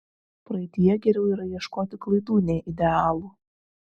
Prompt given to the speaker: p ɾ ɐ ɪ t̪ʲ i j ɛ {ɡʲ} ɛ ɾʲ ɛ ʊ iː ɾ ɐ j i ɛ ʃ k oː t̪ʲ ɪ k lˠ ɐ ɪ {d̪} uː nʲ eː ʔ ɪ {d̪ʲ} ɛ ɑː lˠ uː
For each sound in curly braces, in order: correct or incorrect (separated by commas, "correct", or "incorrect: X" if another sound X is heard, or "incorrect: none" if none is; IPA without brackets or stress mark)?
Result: correct, correct, correct